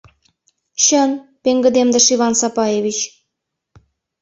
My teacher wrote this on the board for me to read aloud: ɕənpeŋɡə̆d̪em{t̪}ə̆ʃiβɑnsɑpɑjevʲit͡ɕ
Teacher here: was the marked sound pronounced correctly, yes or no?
no